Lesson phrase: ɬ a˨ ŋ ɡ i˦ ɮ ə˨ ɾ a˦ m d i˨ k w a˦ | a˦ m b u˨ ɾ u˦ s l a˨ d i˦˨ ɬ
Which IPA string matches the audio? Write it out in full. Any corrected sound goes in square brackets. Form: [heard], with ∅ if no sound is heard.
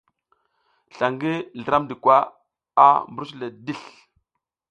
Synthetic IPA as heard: ɬ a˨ ŋ ɡ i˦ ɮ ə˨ ɾ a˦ m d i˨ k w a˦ | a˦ m b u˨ ɾ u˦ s l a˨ d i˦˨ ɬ